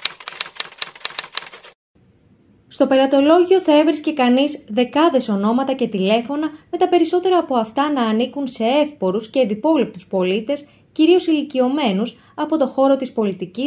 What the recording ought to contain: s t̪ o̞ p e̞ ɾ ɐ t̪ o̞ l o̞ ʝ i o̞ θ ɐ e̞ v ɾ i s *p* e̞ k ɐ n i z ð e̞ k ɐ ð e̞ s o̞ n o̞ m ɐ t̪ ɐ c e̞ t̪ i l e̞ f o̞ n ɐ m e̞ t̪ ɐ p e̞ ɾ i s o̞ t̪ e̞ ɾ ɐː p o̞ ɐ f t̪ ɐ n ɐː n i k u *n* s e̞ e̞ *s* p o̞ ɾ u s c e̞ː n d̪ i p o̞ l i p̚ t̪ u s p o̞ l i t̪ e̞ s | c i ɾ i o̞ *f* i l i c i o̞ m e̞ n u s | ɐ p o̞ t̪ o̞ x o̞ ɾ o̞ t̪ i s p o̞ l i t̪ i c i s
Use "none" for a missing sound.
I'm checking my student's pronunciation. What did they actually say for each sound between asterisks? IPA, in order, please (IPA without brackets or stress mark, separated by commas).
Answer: c, n, f, s